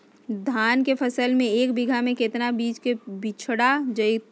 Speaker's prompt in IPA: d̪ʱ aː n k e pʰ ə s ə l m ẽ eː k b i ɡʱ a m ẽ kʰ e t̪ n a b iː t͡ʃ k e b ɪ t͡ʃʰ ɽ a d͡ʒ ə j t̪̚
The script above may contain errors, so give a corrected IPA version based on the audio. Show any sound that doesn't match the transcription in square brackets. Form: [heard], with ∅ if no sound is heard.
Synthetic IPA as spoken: d̪ʱ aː n k e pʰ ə s ə l m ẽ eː k b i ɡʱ a m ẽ [k] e t̪ n a b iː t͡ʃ k e b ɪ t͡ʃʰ ɽ a d͡ʒ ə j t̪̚